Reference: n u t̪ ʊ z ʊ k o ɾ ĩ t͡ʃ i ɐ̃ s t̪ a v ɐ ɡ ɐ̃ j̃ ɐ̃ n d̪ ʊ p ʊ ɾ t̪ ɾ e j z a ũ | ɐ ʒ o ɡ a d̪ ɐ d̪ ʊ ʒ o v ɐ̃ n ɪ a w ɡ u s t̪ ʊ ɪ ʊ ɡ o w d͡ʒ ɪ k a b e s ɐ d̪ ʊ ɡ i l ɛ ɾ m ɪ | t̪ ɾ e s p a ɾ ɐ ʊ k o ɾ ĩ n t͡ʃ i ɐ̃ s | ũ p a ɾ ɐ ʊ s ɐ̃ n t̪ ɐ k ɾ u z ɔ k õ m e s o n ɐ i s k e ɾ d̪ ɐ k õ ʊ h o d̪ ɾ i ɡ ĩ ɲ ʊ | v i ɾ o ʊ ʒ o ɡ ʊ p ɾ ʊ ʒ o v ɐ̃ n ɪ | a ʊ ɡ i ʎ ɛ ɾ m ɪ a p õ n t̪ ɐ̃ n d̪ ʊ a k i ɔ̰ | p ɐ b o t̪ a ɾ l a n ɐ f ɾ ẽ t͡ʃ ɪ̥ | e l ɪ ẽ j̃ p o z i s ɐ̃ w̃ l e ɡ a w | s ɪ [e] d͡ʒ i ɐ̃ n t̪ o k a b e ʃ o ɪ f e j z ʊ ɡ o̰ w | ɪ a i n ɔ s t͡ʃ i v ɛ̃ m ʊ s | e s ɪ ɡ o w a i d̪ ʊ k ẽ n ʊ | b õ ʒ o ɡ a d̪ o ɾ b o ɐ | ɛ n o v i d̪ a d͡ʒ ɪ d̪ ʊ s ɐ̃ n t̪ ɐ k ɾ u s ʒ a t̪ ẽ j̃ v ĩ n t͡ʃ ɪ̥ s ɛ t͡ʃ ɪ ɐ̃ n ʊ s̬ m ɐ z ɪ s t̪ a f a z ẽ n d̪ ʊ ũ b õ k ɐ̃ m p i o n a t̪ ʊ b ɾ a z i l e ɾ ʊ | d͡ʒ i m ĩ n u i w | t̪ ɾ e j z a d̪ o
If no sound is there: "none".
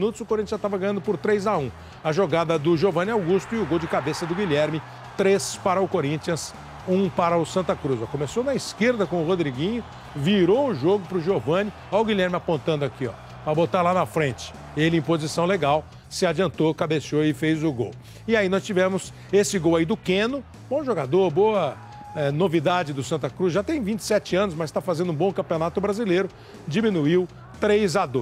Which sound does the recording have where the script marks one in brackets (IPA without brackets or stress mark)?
a